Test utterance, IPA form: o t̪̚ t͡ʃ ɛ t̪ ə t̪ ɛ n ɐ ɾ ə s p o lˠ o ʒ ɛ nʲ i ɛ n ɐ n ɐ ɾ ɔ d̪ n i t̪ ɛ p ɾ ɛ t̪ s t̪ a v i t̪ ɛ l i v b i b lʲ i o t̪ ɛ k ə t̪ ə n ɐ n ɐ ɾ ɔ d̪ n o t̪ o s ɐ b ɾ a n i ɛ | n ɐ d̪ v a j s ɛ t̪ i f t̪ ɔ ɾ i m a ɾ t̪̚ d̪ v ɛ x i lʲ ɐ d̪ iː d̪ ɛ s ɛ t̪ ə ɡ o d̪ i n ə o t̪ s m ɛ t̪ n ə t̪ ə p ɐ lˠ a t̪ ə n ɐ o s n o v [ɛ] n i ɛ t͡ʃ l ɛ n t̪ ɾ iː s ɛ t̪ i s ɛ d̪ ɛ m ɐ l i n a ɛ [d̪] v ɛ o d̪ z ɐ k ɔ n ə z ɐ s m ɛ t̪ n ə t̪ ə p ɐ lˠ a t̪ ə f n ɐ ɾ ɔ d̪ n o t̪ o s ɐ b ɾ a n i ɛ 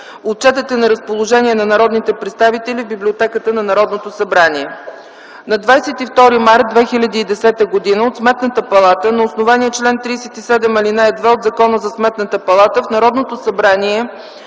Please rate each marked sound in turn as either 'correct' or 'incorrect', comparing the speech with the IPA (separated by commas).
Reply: incorrect, correct